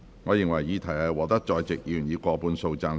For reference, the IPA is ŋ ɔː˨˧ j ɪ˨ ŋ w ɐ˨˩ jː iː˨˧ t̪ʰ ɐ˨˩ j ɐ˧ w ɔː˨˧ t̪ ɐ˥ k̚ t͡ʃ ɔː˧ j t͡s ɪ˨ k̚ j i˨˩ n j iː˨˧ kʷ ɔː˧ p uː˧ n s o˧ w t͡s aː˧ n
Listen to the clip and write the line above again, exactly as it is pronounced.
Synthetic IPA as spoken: ŋ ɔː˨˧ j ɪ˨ ŋ w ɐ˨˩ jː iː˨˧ t̪ʰ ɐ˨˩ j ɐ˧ w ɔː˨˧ t̪ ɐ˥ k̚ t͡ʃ ɔː˧ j t͡s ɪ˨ k̚ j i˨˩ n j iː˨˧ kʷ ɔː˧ p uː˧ n s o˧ w t͡s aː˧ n